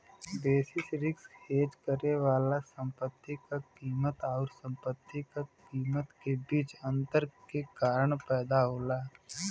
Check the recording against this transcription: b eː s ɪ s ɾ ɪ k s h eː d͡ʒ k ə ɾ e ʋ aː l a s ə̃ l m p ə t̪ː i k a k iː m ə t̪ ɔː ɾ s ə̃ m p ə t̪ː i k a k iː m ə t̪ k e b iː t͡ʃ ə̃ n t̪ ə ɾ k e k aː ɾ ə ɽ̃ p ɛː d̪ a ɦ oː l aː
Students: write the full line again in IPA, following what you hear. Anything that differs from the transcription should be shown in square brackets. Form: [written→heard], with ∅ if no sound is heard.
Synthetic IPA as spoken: b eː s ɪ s ɾ ɪ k s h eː d͡ʒ k ə ɾ e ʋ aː l a s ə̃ [l→∅] m p ə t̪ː i k a k iː m ə t̪ ɔː ɾ s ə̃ m p ə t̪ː i k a k iː m ə t̪ k e b iː t͡ʃ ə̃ n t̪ ə ɾ k e k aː ɾ ə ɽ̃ p ɛː d̪ a ɦ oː l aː